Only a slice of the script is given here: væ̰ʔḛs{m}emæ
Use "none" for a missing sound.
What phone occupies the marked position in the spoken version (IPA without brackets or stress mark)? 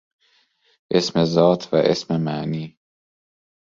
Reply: m